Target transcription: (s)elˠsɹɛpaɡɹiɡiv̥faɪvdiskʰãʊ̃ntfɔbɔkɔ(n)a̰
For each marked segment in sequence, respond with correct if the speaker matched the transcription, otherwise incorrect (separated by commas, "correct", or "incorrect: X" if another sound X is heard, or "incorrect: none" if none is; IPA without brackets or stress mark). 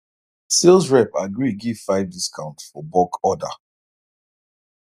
correct, incorrect: d